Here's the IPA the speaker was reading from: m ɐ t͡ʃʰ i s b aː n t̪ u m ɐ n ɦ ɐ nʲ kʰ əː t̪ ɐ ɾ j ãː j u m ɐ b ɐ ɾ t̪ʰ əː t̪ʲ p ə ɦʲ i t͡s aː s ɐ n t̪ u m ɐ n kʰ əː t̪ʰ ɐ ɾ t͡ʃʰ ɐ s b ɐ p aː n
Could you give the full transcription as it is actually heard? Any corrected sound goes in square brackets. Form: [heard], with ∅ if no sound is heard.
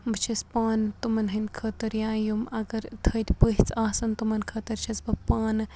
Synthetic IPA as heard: m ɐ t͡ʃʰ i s [p] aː n t̪ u m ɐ n ɦ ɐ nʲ kʰ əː t̪ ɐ ɾ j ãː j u m ɐ [ɡ] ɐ ɾ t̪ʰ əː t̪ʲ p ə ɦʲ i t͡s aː s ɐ n t̪ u m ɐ n kʰ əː [t̪] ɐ ɾ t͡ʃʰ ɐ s b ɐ p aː n